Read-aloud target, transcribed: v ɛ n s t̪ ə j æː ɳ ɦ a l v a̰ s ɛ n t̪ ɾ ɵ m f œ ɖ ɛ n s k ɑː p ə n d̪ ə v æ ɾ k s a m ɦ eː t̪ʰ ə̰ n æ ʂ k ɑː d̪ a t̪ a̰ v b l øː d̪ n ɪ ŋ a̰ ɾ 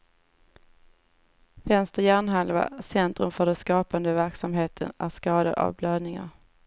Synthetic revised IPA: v ɛ n s t̪ ə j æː ɳ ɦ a l v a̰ s ɛ n t̪ ɾ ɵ m f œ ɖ ɛ n s k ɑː p a n d̪ ə v æ ɾ k s a m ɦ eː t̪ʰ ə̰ n æ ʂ k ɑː d̪ a d̪ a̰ v b l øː d̪ n ɪ ŋ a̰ ɾ